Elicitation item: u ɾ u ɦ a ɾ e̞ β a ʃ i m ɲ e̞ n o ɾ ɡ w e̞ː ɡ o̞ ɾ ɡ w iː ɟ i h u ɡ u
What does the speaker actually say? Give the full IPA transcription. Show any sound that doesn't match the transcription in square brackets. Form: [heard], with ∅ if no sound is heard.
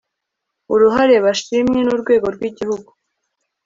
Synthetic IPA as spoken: u ɾ u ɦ a ɾ e̞ β a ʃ i m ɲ e̞ n [u] ɾ ɡ w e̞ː ɡ o̞ ɾ ɡ w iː ɟ i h u ɡ u